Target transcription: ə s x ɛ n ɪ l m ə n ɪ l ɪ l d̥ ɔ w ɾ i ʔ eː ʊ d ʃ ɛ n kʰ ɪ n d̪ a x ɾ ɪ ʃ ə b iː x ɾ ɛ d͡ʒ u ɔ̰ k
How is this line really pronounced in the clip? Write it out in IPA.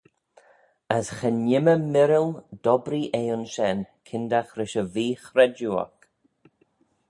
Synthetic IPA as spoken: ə s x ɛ n ɪ m ə m ɪ ɾ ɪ l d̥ ɔ b ɾ i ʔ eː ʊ n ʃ ɛ n kʰ ɪ n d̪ a x ɾ ɪ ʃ ə v iː x ɾ ɛ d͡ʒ u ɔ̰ k